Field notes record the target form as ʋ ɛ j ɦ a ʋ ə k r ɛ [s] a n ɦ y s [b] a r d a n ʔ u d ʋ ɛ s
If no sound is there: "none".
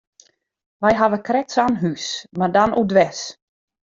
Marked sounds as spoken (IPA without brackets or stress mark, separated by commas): s, m